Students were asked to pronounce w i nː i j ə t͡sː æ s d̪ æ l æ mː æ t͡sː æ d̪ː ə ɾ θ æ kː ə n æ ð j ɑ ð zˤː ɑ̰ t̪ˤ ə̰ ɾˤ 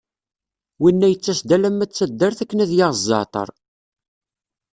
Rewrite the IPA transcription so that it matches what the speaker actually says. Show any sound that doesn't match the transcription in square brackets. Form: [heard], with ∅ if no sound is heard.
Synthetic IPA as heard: w i nː [æ] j ə t͡sː æ s d̪ æ l æ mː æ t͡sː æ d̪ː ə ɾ θ æ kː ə n æ ð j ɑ [ʁ] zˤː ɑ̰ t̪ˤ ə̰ ɾˤ